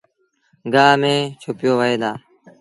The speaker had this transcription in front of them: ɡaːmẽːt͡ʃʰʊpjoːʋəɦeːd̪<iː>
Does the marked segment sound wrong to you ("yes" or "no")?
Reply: yes